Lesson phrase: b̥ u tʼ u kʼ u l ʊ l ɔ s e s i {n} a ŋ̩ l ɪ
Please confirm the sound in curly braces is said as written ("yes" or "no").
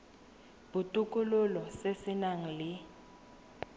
yes